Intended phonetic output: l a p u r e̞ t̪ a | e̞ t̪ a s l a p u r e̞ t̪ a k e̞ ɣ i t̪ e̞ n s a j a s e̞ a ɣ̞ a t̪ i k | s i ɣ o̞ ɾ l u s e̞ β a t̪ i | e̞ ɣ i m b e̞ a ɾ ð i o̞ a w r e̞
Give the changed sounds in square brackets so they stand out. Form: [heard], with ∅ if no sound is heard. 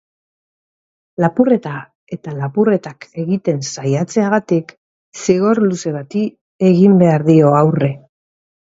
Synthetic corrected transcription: l a p u r e̞ t̪ a | e̞ t̪ a [∅] l a p u r e̞ t̪ a k e̞ ɣ i t̪ e̞ n s a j a [t͡s] e̞ a ɣ̞ a t̪ i k | s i ɣ o̞ ɾ l u s e̞ β a t̪ i | e̞ ɣ i m b e̞ a ɾ ð i o̞ a w r e̞